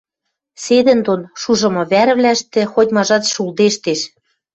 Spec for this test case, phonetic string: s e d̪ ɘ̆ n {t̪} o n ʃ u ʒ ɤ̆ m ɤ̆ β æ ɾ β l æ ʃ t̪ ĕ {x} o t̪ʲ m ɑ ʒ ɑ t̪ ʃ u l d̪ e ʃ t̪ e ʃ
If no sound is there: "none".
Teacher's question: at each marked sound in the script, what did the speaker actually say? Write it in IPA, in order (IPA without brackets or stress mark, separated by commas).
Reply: d̪, x